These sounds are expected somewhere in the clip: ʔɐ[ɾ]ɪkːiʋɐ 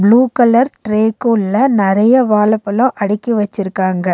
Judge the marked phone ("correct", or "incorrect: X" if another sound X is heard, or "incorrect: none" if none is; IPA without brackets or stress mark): incorrect: ɽ